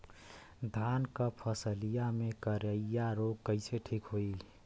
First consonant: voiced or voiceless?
voiced